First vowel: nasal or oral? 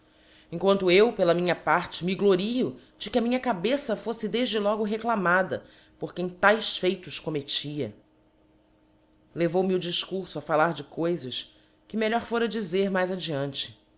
nasal